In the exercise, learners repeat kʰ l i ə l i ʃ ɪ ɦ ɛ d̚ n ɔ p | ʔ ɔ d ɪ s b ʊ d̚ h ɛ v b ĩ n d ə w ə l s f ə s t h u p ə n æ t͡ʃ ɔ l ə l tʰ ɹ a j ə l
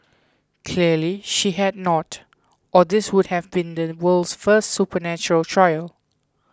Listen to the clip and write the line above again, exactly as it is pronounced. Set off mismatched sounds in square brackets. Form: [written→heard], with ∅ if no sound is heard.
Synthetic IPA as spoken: kʰ l i ə l i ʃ [ɪ→i] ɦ ɛ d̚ n ɔ [p→t] | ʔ ɔ d ɪ s [b→w] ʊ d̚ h ɛ v b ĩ n d ə w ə l s f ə s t [h→s] u p ə n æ t͡ʃ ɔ [l→ɹ] ə l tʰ ɹ a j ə l